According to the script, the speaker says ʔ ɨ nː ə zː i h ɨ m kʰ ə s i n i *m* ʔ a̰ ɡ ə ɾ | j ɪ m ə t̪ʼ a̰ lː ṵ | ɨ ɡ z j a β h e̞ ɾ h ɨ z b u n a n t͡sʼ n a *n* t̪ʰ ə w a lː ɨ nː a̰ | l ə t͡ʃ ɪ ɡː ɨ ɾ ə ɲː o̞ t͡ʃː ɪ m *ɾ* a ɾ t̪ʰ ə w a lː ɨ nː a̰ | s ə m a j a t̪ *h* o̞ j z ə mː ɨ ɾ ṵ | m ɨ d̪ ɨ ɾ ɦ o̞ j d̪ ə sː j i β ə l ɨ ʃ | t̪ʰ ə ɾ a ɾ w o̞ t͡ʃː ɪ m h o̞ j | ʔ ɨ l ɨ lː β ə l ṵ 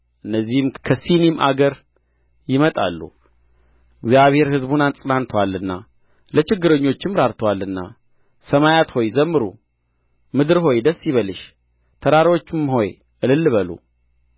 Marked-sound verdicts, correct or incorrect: correct, correct, correct, correct

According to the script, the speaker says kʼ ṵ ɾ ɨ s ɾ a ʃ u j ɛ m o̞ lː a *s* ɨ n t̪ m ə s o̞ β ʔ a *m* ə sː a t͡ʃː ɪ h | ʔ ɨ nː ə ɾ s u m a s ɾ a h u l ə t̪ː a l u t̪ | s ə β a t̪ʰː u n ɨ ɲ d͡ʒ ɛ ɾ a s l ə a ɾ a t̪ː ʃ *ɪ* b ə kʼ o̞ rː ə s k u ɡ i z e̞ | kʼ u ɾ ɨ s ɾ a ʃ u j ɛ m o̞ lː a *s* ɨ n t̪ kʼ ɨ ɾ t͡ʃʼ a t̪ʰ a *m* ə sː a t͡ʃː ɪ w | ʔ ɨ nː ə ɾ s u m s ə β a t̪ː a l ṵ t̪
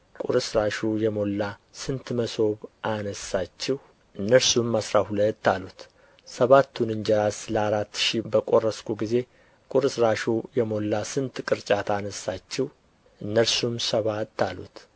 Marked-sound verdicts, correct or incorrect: correct, incorrect: n, incorrect: i, correct, incorrect: n

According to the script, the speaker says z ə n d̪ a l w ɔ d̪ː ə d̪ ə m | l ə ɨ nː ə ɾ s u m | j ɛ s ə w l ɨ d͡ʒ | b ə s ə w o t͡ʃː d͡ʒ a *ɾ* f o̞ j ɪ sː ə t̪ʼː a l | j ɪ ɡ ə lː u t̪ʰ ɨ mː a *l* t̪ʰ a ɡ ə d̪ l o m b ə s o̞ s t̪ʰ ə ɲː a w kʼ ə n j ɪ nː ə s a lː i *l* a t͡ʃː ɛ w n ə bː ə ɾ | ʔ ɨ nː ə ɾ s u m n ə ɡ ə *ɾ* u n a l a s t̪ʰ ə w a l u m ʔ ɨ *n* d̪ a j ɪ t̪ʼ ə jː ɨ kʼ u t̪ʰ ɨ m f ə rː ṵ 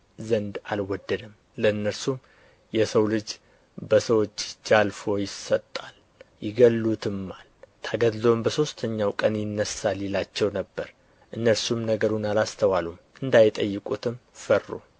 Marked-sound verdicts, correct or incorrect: incorrect: l, correct, correct, correct, correct

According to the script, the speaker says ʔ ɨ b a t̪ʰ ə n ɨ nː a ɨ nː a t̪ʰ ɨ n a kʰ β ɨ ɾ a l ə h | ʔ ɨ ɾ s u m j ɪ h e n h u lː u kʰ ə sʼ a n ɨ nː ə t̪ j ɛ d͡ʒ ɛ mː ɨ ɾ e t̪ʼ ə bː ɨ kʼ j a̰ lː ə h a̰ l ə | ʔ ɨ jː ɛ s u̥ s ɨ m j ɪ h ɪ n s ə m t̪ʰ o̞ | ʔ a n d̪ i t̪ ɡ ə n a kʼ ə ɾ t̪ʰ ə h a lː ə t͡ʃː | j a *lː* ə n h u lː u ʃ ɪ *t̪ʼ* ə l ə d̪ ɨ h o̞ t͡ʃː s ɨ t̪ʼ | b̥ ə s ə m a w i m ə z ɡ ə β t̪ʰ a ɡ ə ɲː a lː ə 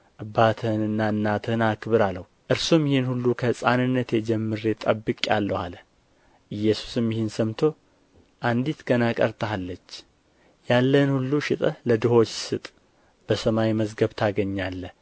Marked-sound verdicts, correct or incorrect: correct, correct

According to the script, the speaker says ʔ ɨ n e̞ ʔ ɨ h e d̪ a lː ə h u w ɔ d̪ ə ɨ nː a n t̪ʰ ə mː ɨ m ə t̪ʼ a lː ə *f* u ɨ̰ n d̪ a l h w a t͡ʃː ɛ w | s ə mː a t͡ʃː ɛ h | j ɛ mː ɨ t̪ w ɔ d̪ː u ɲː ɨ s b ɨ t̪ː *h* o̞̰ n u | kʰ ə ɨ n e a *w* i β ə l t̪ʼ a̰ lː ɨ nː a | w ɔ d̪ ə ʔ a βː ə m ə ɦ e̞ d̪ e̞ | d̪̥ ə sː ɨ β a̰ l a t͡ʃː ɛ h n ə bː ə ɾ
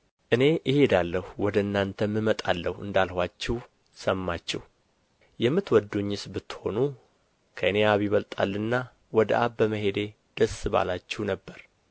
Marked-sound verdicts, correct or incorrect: incorrect: h, correct, incorrect: β

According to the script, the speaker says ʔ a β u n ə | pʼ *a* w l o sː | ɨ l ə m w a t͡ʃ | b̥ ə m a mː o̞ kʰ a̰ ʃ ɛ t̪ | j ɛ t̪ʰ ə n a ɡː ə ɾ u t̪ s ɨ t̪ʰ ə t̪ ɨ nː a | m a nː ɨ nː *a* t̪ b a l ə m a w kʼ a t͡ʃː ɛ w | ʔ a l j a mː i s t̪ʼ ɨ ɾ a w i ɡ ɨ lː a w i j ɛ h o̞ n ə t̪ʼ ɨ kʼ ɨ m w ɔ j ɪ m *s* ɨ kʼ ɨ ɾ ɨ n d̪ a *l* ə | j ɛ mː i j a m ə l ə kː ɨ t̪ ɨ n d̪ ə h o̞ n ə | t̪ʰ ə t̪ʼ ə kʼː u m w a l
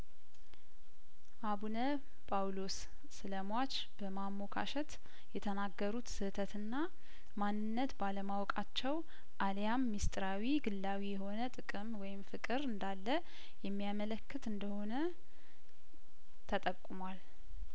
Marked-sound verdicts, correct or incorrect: correct, incorrect: ə, incorrect: f, incorrect: lː

